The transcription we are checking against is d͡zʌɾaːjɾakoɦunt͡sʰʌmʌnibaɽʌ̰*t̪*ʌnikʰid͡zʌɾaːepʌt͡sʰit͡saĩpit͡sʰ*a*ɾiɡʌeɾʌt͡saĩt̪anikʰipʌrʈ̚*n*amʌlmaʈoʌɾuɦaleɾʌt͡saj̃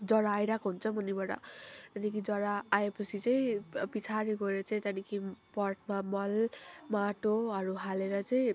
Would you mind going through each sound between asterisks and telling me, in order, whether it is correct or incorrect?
correct, correct, incorrect: m

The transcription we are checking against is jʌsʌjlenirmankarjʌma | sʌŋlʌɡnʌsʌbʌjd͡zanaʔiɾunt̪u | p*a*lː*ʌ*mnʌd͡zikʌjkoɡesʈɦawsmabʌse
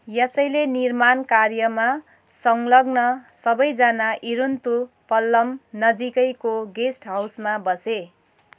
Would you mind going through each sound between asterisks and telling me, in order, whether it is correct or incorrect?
incorrect: ʌ, correct

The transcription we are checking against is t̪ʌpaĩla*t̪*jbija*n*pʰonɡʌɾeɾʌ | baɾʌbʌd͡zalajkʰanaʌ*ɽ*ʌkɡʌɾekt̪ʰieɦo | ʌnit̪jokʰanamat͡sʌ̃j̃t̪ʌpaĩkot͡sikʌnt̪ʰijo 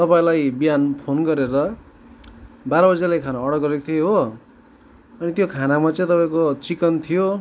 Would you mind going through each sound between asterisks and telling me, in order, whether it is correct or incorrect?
incorrect: none, correct, correct

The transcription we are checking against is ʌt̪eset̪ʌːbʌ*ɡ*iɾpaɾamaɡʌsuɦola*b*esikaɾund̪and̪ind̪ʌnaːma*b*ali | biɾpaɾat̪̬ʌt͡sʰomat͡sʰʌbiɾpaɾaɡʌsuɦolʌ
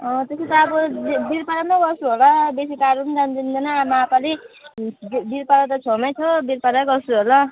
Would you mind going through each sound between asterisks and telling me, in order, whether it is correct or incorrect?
incorrect: b, correct, incorrect: p

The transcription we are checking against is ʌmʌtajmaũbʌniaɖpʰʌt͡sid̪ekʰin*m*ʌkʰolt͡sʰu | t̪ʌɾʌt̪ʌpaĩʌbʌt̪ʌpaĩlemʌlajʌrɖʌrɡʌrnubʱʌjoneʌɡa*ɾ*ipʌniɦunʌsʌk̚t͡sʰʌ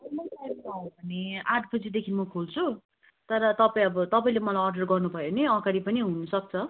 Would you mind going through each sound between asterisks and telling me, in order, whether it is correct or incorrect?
correct, correct

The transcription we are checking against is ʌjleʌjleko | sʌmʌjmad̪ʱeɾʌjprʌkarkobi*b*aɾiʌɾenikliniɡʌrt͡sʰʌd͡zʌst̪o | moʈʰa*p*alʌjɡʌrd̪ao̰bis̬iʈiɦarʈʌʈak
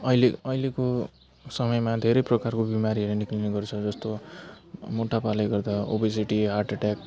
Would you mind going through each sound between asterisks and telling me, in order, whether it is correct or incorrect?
incorrect: m, correct

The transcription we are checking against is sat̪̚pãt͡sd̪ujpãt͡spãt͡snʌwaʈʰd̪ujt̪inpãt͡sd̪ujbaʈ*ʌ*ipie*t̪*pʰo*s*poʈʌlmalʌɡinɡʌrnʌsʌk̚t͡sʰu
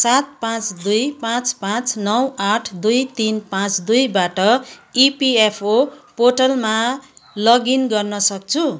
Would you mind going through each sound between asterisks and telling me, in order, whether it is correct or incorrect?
correct, incorrect: none, incorrect: none

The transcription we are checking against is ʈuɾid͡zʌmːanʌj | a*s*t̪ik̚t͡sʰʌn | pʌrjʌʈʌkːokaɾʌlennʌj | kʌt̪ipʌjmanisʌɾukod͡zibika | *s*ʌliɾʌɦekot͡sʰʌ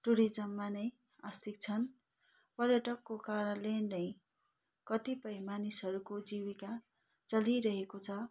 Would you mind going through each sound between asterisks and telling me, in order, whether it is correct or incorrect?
correct, incorrect: t͡s

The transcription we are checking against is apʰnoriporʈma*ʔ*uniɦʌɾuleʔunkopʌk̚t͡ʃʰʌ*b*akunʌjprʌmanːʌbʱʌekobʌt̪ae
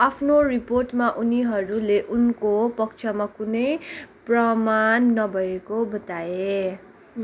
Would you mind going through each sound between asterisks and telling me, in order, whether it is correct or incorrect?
correct, incorrect: m

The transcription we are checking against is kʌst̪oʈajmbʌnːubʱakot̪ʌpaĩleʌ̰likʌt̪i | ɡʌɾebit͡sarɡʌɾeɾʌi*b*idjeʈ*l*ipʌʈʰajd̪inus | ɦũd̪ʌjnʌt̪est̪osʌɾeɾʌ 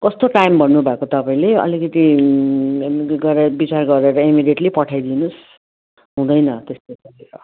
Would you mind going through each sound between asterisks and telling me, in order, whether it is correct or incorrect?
incorrect: m, correct

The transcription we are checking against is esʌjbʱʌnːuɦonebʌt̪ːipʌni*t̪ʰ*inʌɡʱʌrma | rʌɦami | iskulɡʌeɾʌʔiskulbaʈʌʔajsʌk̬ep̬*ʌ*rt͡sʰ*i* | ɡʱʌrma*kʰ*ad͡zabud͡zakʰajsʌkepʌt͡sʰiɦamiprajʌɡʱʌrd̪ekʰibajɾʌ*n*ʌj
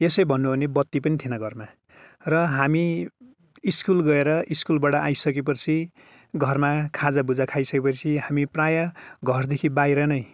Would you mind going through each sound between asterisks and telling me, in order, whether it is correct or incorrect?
correct, correct, correct, correct, correct

